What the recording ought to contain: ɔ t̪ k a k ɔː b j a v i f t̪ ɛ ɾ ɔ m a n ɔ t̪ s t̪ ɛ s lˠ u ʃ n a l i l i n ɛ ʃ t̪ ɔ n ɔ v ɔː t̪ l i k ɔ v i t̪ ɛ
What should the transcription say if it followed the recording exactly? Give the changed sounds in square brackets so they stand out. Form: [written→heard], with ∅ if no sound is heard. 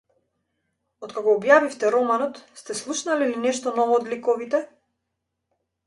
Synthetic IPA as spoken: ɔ t̪ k a k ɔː b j a v i f t̪ ɛ ɾ ɔ m a n ɔ t̪ s t̪ ɛ s lˠ u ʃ n a l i l i n ɛ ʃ t̪ ɔ n ɔ v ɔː [t̪→d̪] l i k ɔ v i t̪ ɛ